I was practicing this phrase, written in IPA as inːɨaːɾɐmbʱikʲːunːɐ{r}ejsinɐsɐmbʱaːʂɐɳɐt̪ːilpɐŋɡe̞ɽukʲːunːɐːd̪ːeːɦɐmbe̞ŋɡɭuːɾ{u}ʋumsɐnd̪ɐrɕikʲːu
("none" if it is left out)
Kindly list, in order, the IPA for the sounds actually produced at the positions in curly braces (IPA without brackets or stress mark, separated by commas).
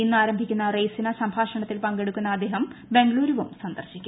r, u